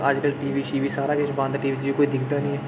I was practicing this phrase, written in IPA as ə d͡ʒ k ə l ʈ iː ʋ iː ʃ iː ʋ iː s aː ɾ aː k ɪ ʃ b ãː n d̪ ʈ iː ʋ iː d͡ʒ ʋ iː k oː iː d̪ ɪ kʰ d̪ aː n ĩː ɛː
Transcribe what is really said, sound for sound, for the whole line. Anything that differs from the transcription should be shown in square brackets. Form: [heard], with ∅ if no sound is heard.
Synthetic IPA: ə d͡ʒ k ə l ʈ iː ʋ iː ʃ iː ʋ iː s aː ɾ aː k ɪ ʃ b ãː n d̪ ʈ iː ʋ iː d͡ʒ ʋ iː k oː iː d̪ ɪ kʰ d̪ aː n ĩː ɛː